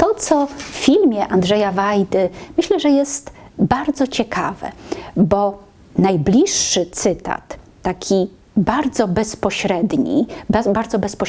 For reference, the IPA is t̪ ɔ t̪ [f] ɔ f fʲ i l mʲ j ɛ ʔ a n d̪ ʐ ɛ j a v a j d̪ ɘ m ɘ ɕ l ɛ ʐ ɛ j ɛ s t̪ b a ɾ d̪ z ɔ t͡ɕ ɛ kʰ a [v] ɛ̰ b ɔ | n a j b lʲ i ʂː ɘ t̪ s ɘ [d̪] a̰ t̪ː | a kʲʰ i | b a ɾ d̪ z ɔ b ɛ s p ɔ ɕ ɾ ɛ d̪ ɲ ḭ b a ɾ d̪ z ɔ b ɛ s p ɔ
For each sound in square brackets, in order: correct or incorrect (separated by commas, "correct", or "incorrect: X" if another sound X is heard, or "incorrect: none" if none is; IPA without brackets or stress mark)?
incorrect: s, correct, incorrect: t̪